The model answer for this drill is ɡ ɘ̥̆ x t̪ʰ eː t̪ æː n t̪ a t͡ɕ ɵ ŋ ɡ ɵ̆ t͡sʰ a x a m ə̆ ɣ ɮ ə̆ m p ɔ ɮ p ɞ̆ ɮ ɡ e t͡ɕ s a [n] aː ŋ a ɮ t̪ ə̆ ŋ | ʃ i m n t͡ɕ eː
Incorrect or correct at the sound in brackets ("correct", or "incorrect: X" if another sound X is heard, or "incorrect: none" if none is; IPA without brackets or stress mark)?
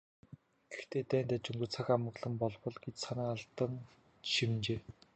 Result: correct